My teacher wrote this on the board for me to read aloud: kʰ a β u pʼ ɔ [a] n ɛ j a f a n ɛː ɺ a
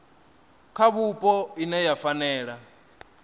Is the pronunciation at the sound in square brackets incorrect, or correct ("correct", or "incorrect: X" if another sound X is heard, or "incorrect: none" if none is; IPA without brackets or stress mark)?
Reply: incorrect: i